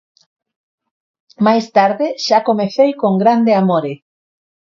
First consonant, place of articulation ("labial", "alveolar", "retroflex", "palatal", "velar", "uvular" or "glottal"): labial